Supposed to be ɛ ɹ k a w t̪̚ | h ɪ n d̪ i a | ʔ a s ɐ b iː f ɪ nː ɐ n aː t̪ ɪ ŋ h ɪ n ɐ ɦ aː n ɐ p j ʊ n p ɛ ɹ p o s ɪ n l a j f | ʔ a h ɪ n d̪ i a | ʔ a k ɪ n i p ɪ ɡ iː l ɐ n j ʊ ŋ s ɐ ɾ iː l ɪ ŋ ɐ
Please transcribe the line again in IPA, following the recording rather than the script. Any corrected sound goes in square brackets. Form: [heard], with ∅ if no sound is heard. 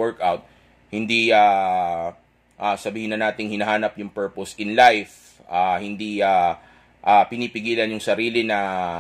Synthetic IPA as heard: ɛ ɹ k a w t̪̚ | h ɪ n d̪ i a | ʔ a s ɐ b iː [h] ɪ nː ɐ n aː t̪ ɪ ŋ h ɪ n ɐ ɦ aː n ɐ p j ʊ [ŋ] p ɛ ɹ p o s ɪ n l a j f | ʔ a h ɪ n d̪ i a | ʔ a [p] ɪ n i p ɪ ɡ iː l ɐ n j ʊ ŋ s ɐ ɾ iː l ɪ [n] ɐ

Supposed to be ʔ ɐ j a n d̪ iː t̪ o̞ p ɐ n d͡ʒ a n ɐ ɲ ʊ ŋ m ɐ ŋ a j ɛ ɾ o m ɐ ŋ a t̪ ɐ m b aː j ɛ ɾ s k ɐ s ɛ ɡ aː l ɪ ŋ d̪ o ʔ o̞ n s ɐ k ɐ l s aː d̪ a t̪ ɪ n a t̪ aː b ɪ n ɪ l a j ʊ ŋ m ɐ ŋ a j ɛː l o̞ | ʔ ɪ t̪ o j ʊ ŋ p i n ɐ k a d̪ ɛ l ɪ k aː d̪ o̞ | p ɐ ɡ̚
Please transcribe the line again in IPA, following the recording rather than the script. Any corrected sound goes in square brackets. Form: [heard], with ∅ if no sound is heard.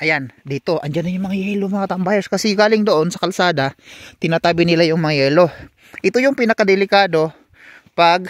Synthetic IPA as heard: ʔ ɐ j a n d̪ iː t̪ o̞ [ʔ] ɐ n d͡ʒ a n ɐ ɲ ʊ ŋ m ɐ ŋ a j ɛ [l] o m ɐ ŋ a t̪ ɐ m b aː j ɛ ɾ s k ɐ s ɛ ɡ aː l ɪ ŋ d̪ o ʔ o̞ n s ɐ k ɐ l s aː d̪ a t̪ ɪ n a t̪ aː b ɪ n ɪ l a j ʊ ŋ m ɐ ŋ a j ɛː l o̞ | ʔ ɪ t̪ o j ʊ ŋ p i n ɐ k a d̪ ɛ l ɪ k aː d̪ o̞ | p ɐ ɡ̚

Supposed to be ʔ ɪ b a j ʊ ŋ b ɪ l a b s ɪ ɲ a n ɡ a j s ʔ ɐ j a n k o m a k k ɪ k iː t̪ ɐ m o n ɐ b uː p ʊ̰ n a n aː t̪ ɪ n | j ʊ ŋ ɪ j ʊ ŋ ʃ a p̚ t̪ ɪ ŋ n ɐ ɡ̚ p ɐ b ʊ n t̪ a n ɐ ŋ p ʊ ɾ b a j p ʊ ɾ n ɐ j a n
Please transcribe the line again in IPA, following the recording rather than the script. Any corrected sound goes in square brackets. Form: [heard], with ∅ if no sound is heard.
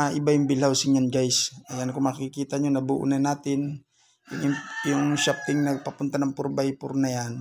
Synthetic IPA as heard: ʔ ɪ b a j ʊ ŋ b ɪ l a [w] s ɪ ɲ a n ɡ a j s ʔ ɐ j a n k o m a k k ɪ k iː t̪ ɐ [ɲ] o n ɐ b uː [ʔ] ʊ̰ n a n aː t̪ ɪ n | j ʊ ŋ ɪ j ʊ ŋ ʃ a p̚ t̪ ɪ ŋ n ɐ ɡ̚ p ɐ [p] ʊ n t̪ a n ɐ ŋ p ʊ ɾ b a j p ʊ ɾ n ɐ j a n

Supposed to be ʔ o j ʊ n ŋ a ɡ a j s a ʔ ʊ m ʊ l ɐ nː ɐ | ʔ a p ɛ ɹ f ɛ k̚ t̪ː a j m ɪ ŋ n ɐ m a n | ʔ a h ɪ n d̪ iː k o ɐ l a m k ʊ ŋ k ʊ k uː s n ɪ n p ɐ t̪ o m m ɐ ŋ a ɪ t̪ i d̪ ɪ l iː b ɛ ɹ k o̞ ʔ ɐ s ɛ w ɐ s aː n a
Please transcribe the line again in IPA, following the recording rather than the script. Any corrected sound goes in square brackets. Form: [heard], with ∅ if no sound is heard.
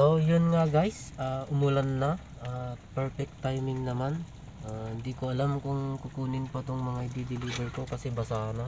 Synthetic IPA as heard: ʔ o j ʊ n ŋ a ɡ a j s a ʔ ʊ m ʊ l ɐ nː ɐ | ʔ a p ɛ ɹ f ɛ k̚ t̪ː a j m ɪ ŋ n ɐ m a n | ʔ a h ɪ n d̪ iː k o ɐ l a m k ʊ ŋ k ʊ k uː [∅] n ɪ n p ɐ t̪ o [ŋ] m ɐ ŋ a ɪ [d̪] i d̪ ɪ l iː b ɛ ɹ k o̞ [k] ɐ s ɛ [b] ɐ s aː n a

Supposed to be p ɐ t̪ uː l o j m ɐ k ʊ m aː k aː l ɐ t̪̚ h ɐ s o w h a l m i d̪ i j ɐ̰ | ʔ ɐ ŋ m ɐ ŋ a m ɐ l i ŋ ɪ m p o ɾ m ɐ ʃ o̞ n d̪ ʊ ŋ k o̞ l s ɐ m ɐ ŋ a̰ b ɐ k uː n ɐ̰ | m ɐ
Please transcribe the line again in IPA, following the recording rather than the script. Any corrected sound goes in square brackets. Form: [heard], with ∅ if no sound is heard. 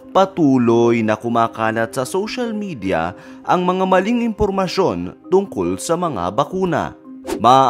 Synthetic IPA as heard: p ɐ t̪ uː l o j [n] ɐ k ʊ m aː k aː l ɐ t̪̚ [s] ɐ s o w [ʃ] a l m i d̪ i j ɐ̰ | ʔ ɐ ŋ m ɐ ŋ a m ɐ l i ŋ ɪ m p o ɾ m ɐ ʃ o̞ n [t̪] ʊ ŋ k o̞ l s ɐ m ɐ ŋ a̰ b ɐ k uː n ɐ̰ | m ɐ

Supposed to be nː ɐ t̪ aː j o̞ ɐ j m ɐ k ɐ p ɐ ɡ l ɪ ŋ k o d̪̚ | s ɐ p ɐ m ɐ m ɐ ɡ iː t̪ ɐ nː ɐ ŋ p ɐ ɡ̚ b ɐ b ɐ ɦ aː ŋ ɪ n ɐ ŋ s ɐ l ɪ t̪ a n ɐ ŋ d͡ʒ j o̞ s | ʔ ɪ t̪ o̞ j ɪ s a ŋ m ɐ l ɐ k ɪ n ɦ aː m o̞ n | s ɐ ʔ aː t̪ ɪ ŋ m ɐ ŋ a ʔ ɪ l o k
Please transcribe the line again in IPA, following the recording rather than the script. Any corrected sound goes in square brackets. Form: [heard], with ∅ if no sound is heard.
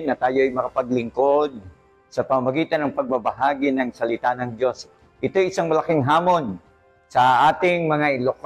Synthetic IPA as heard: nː ɐ t̪ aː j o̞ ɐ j m ɐ k ɐ p ɐ ɡ l ɪ ŋ k o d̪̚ | s ɐ p ɐ m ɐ m ɐ ɡ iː t̪ ɐ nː ɐ ŋ p ɐ ɡ̚ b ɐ b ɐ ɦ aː [ɡ] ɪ n ɐ ŋ s ɐ l ɪ t̪ a n ɐ ŋ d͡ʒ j o̞ s | ʔ ɪ t̪ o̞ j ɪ s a ŋ m ɐ l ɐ k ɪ [ŋ] ɦ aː m o̞ n | s ɐ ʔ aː t̪ ɪ ŋ m ɐ ŋ a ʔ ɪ l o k

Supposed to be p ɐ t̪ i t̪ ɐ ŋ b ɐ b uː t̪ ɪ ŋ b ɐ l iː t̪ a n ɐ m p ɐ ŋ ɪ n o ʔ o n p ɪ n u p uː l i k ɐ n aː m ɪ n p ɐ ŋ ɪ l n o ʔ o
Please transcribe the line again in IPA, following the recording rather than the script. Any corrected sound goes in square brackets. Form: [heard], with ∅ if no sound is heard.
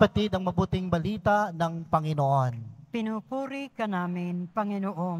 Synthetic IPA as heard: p ɐ t̪ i [d̪] ɐ ŋ [m] ɐ b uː t̪ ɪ ŋ b ɐ l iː t̪ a n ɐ [ŋ] p ɐ ŋ ɪ n o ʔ o n p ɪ n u p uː [ɾ] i k ɐ n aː m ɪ n p ɐ ŋ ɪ [∅] n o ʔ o

